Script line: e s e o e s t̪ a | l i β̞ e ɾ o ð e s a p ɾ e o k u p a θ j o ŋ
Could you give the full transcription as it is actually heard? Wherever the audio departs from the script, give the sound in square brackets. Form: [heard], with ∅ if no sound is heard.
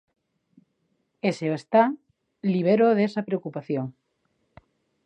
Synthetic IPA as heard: e s e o e s t̪ a | l i β̞ e ɾ o ð e s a p ɾ e o k u p a θ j o ŋ